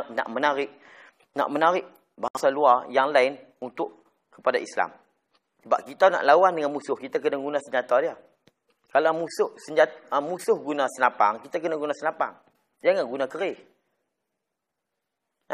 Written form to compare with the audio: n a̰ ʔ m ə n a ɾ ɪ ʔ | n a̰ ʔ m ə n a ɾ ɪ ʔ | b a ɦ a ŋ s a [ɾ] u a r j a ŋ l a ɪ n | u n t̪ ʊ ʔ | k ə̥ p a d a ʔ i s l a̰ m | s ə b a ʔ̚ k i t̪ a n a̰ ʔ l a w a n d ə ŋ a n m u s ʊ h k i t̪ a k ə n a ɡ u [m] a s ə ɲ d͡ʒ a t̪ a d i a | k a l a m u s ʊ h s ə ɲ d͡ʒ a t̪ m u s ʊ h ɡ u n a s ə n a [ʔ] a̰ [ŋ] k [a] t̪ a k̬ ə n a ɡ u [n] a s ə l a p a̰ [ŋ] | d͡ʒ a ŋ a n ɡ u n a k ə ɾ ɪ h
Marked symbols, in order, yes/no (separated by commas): no, no, no, yes, no, yes, yes